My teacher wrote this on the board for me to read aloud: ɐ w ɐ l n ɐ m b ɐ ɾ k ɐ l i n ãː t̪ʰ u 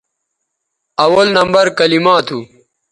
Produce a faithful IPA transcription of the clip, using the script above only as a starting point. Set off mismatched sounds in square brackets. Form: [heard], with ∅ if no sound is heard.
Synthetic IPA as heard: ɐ w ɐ l n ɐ m b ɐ ɾ k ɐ l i [m] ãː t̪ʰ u